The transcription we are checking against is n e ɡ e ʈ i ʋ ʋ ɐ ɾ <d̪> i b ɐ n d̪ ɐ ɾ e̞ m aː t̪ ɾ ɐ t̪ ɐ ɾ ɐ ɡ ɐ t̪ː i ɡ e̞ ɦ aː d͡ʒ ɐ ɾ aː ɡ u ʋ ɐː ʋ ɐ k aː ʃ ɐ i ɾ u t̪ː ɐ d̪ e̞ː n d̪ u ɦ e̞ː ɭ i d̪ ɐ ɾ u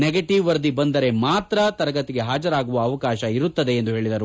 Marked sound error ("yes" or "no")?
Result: no